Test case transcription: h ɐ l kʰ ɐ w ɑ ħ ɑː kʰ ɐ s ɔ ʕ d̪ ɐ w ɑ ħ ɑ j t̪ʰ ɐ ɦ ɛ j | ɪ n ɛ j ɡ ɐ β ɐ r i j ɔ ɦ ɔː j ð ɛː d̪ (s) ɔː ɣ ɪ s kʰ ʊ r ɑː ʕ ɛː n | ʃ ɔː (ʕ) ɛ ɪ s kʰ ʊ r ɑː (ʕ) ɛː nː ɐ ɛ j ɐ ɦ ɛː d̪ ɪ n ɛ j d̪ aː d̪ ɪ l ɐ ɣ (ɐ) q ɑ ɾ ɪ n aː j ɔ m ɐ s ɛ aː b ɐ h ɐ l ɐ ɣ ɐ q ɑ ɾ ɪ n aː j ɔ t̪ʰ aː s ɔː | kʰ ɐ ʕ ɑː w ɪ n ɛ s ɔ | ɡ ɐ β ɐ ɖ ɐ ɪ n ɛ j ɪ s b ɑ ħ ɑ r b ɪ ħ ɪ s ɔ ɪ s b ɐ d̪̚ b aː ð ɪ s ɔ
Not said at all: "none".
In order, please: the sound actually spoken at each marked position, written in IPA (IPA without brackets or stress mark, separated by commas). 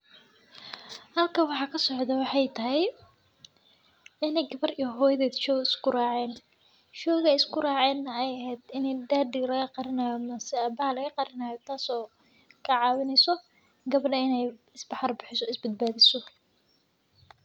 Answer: ʃ, ɣ, ʕ, ɐ